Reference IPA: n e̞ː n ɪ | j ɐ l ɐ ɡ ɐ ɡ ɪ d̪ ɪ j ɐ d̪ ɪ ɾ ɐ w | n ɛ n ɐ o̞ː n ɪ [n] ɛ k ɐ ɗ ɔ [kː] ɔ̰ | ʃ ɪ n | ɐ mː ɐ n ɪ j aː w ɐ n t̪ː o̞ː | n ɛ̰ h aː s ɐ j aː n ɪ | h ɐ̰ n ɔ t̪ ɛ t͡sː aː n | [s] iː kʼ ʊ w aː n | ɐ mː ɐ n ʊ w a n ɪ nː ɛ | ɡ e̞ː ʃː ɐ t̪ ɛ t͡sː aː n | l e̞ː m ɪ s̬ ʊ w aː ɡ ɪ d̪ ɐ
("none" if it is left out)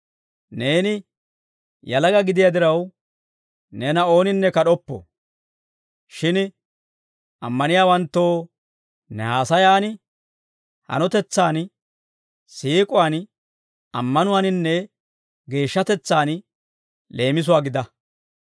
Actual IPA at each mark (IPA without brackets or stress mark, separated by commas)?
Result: nː, pː, s